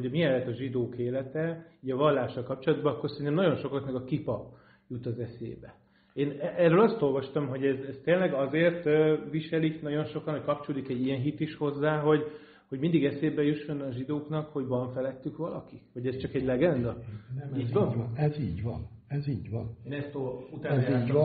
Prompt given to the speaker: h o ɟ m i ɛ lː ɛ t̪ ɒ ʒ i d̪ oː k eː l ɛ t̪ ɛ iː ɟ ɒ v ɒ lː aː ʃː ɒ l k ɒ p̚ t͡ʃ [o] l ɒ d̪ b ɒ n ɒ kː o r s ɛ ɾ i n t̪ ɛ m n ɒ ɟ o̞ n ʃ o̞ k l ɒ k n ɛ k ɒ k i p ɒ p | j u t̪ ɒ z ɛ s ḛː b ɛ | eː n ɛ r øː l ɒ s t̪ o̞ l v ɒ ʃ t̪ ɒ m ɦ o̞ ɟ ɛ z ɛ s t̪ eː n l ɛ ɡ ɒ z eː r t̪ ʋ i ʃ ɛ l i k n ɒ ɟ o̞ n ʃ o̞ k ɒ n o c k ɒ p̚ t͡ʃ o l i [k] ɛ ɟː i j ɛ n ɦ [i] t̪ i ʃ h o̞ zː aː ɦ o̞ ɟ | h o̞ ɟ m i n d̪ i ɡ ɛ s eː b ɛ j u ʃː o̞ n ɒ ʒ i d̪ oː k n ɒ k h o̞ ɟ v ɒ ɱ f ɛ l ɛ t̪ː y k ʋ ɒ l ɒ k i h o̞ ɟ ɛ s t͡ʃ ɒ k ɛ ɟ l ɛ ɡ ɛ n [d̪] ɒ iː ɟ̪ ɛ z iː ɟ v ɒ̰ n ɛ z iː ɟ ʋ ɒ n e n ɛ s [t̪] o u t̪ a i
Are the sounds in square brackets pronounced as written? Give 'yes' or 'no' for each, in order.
yes, yes, yes, yes, yes

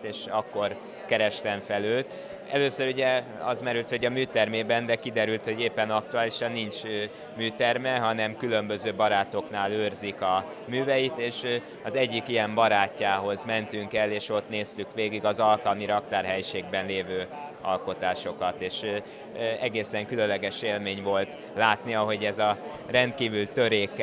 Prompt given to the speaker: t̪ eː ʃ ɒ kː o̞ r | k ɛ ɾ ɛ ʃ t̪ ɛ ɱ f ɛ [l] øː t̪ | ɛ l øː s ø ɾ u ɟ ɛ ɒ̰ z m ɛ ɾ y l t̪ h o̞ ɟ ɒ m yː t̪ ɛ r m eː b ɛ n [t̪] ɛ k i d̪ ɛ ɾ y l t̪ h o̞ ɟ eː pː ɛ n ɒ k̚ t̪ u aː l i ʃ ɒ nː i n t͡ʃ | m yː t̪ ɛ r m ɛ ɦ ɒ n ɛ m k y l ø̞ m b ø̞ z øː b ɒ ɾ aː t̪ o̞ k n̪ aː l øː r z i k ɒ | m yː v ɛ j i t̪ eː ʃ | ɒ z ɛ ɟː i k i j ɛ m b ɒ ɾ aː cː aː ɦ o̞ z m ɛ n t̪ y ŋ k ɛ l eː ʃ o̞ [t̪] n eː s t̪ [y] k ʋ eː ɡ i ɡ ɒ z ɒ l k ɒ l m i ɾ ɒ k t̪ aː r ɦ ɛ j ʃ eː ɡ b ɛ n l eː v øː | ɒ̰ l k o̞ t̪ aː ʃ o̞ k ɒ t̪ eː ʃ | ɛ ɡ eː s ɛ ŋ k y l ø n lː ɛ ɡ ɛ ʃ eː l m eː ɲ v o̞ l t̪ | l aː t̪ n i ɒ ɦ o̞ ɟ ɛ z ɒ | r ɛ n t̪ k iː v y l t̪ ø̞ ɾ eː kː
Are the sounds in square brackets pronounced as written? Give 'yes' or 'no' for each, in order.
yes, no, yes, yes

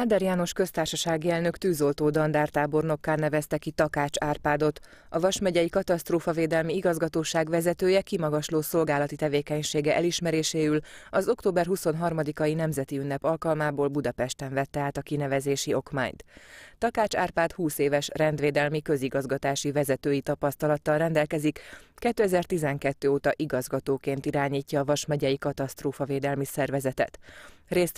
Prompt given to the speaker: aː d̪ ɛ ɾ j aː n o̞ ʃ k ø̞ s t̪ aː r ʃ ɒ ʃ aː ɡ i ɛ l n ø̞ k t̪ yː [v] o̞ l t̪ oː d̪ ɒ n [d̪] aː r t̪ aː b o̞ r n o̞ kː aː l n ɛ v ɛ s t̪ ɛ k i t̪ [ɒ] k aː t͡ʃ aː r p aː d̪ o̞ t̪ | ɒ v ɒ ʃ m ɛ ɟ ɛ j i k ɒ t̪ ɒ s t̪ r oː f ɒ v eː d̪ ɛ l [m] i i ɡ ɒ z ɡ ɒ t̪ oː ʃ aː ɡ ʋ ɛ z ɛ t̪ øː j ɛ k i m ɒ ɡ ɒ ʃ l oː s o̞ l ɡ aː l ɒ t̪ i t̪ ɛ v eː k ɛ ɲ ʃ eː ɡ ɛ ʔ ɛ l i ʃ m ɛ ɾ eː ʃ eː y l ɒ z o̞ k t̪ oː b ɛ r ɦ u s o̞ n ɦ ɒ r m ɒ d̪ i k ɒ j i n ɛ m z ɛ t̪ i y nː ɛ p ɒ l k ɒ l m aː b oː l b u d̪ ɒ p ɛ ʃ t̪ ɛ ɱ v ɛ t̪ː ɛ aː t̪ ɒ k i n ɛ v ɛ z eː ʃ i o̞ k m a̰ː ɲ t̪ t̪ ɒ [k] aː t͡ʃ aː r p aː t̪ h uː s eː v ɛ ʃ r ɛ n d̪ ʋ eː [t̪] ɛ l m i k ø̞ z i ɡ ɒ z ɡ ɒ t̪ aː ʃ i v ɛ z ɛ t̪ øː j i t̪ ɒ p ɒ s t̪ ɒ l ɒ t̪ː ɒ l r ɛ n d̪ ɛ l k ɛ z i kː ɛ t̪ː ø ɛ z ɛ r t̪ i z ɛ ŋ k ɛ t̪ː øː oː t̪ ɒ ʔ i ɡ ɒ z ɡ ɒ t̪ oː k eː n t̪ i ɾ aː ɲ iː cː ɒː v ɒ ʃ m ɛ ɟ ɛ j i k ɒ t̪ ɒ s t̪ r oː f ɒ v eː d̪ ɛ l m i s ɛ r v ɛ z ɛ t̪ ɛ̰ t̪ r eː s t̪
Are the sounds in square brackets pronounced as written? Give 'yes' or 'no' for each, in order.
no, yes, yes, yes, yes, no

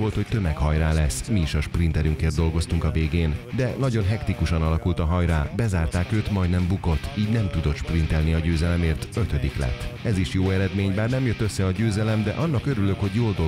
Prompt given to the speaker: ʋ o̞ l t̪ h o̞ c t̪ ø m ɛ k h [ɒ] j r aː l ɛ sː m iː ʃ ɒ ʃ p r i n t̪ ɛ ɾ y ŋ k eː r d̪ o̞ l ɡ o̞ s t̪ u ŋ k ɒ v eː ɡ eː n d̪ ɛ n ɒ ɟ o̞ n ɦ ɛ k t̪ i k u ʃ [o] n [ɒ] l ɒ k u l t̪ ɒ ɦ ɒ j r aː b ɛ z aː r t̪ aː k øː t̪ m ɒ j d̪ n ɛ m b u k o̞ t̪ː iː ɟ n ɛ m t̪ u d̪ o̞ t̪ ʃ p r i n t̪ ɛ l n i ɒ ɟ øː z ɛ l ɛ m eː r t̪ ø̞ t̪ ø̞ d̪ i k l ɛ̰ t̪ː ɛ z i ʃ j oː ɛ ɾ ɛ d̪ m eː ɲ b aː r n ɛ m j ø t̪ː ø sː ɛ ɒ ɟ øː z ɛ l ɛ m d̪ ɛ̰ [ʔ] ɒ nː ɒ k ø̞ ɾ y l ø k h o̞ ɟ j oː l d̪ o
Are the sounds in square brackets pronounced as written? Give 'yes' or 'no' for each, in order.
yes, no, yes, yes

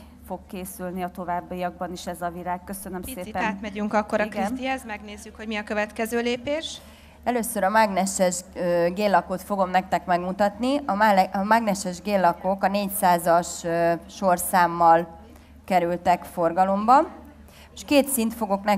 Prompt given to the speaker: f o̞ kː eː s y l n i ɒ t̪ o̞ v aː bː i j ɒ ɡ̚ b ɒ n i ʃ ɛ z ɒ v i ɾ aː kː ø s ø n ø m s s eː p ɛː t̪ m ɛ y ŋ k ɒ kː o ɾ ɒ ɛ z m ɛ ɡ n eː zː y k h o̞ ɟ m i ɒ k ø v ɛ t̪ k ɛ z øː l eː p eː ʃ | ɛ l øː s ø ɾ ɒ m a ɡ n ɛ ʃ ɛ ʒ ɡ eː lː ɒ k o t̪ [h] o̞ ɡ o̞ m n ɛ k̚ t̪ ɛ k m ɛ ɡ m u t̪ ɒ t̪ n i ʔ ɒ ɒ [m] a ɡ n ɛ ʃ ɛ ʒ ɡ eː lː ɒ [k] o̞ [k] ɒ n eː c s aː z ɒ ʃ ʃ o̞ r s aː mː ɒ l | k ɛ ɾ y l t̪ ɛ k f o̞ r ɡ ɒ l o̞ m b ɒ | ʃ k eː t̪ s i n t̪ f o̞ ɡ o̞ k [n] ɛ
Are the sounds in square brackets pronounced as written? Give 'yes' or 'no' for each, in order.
no, yes, yes, yes, yes

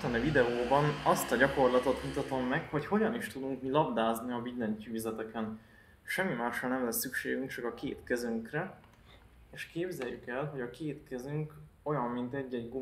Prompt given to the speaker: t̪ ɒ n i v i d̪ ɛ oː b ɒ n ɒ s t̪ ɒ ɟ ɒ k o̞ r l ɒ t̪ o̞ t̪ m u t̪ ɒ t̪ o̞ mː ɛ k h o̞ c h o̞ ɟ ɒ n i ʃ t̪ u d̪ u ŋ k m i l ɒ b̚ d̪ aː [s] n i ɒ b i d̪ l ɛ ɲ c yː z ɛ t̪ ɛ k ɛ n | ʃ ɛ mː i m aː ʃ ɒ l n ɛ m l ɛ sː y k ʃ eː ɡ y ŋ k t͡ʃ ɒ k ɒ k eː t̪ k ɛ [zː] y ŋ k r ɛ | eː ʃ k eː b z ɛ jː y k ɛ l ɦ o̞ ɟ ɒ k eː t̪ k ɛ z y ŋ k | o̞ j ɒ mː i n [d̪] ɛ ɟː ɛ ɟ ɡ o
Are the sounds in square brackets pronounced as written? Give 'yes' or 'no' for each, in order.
no, no, no

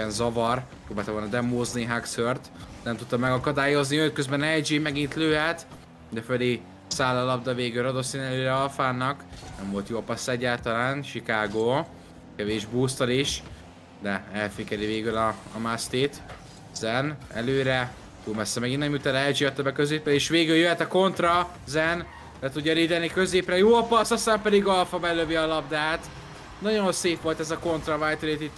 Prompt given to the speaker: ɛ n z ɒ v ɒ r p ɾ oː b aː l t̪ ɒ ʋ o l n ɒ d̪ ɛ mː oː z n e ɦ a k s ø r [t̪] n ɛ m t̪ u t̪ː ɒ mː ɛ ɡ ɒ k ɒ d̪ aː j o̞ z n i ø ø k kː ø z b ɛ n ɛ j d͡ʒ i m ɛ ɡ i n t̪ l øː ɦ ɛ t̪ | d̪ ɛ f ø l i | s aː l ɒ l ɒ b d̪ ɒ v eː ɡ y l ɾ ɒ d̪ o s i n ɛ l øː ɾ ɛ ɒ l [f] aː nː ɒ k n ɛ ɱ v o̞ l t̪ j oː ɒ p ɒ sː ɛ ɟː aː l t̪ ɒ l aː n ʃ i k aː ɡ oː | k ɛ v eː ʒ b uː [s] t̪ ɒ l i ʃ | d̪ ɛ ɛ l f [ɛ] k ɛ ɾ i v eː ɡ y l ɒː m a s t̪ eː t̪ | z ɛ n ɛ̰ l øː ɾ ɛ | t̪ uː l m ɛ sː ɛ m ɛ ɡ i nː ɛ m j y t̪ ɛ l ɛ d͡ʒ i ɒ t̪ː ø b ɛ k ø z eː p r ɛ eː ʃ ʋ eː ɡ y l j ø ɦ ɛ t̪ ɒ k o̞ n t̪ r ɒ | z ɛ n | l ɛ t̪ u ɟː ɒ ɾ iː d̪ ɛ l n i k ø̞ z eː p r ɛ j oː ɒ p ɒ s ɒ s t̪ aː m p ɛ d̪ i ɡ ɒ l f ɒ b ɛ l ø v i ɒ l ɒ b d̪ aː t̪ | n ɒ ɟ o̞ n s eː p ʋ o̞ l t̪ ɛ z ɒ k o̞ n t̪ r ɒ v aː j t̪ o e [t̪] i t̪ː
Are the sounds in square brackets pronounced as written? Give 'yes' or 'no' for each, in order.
yes, yes, yes, no, yes

